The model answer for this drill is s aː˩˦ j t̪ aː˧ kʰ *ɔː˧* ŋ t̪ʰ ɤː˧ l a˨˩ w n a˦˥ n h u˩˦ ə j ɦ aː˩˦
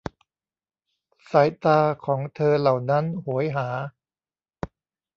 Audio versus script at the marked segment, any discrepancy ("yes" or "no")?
yes